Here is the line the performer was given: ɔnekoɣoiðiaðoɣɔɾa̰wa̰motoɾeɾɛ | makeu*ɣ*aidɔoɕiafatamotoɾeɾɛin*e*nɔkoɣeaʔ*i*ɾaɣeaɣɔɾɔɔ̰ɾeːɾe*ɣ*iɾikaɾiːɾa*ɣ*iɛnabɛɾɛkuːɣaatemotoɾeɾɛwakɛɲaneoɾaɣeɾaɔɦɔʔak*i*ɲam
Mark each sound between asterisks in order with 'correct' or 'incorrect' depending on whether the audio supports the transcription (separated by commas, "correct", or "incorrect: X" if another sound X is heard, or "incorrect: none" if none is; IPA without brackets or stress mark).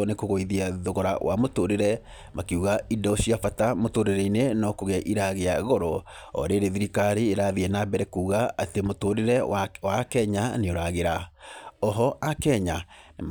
correct, correct, correct, incorrect: ð, incorrect: ð, incorrect: ɛ